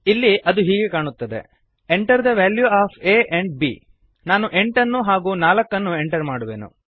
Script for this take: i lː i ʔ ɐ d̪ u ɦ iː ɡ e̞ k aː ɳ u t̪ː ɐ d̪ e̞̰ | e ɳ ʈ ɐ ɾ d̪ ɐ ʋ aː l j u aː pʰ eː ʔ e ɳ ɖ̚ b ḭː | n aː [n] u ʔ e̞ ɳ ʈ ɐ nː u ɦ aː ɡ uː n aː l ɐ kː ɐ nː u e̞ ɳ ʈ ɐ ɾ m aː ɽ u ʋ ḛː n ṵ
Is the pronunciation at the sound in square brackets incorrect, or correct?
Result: correct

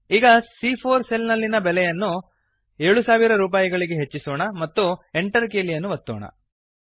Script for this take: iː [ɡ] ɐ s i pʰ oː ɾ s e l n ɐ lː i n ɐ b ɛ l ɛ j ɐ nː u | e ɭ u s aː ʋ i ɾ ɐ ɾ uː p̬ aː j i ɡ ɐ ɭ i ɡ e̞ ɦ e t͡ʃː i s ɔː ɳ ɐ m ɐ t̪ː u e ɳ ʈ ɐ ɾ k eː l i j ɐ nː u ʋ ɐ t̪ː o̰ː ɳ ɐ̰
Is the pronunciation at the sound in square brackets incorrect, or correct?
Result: correct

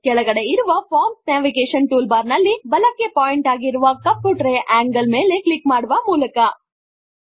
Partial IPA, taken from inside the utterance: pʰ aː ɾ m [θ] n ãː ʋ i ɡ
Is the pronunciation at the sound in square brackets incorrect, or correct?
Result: incorrect: s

